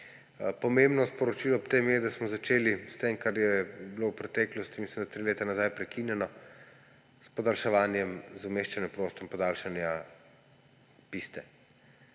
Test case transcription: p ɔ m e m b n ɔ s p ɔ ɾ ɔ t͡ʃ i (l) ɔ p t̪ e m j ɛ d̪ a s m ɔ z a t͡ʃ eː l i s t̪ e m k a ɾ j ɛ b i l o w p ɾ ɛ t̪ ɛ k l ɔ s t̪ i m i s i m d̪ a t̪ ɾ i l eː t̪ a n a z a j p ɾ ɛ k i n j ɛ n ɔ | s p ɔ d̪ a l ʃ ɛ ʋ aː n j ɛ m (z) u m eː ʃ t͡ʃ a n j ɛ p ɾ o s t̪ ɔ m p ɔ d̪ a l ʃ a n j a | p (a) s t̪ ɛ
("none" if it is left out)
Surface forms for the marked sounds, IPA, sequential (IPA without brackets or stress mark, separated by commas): l, z, i